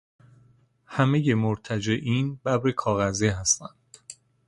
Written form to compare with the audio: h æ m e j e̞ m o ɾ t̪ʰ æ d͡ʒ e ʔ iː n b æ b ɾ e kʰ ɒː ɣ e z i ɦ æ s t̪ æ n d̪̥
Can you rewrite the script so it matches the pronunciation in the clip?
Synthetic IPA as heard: h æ m e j e̞ m o ɾ t̪ʰ æ d͡ʒ e ʔ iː n b æ b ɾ e kʰ ɒː ɣ æ z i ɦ æ s t̪ æ n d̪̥